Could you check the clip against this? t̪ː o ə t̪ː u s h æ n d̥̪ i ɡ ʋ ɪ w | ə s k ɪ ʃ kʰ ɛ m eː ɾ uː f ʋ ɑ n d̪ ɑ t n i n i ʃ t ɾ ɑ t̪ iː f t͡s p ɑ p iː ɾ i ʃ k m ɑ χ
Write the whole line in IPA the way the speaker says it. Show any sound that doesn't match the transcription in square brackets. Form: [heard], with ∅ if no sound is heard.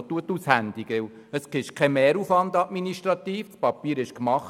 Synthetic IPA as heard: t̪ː [u] ə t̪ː u s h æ n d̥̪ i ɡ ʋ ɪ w | ə s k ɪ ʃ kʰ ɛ m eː ɾ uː f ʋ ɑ n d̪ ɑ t [m] i n i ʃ t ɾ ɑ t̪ iː f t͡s p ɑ p iː ɾ [ɪ] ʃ k m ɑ χ